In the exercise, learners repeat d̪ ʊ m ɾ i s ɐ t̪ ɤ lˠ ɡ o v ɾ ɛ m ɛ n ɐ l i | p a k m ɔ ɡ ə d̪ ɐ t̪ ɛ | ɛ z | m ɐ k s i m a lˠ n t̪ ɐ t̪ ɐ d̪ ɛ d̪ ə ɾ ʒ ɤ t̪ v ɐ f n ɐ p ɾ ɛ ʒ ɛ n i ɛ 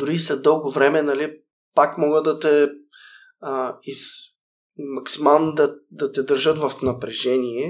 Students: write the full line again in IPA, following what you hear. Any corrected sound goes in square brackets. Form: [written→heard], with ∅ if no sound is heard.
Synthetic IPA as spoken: d̪ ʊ [m→∅] ɾ i s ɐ [t̪→d̪] ɤ lˠ ɡ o v ɾ ɛ m ɛ n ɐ l i | p a k m ɔ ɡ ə d̪ ɐ t̪ ɛ | [ɛ→i] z | m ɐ k s i m a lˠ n [t̪→d̪] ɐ [t̪→d̪] ɐ [d̪→t̪] ɛ d̪ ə ɾ ʒ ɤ t̪ v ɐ f n ɐ p ɾ ɛ ʒ ɛ n i ɛ